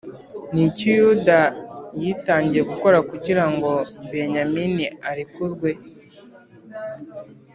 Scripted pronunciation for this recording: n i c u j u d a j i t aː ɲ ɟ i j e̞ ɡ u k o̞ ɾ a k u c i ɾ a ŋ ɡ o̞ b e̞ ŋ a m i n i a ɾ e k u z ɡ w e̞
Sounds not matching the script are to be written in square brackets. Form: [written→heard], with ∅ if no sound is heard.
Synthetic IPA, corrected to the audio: n i c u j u d a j i t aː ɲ ɟ i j e̞ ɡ u k o̞ ɾ a k u [c→ɟ] i ɾ a ŋ ɡ o̞ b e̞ [ŋ→ɲ] a m i n i a ɾ [e→i] k u z ɡ w e̞